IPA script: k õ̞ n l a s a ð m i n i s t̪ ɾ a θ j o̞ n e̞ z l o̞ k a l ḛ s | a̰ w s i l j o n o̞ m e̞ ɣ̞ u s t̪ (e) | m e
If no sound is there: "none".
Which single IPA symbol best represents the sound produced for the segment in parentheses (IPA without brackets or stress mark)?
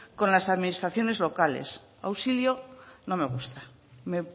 a